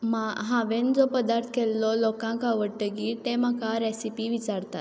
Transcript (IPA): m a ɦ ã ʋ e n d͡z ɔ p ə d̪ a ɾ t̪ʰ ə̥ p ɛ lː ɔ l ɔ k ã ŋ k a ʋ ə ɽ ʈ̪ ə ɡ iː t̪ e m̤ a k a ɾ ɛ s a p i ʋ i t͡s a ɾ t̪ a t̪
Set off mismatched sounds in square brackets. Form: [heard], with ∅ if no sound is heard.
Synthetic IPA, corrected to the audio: m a ɦ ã ʋ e n d͡z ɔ p ə d̪ a ɾ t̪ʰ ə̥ [k] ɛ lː ɔ l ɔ k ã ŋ k a ʋ ə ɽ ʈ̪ ə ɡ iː t̪ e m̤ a k a ɾ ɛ s [i] p i ʋ i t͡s a ɾ t̪ a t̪